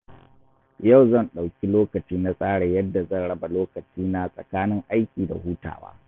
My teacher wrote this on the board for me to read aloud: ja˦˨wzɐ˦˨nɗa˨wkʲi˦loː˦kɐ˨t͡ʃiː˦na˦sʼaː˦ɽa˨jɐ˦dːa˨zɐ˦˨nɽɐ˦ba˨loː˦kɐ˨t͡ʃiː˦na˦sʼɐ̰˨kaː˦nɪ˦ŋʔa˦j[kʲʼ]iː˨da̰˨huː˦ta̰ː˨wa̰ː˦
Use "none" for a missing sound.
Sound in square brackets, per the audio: kʲ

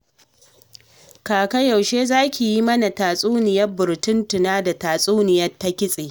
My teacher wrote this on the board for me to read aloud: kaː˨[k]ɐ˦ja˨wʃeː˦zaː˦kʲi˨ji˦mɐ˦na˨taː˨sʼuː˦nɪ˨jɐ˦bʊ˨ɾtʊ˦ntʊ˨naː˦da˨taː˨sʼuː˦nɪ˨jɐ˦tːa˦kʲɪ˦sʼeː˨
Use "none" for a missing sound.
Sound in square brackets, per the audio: k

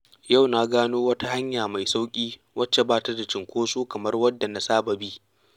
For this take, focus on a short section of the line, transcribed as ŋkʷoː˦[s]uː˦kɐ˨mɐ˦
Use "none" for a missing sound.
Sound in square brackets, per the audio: s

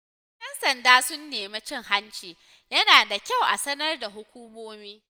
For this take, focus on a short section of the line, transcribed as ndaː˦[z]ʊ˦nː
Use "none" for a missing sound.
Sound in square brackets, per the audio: s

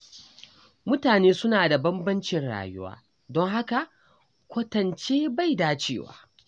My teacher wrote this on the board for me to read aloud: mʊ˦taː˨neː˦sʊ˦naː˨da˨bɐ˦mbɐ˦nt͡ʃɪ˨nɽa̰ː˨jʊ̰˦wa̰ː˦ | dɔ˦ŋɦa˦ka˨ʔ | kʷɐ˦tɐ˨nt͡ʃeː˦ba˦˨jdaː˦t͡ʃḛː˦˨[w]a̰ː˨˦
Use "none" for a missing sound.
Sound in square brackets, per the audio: w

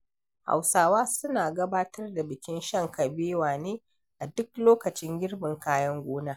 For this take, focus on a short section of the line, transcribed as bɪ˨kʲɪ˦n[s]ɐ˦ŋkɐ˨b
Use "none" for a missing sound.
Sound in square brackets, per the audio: ʃ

